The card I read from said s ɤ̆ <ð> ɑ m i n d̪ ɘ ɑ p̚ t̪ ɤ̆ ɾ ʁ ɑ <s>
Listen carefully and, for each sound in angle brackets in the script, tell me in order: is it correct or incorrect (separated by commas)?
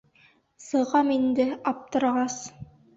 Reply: incorrect, correct